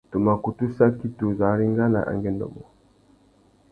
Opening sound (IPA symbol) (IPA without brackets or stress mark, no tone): t